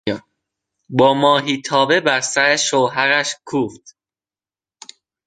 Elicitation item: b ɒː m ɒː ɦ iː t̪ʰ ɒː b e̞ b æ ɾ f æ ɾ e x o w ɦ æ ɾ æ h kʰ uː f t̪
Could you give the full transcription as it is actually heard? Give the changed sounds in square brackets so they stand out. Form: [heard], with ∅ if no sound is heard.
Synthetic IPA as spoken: b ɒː m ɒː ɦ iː t̪ʰ ɒː b e̞ b æ ɾ [s] æ ɾ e [ʃ] o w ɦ æ ɾ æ [ʃ] kʰ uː f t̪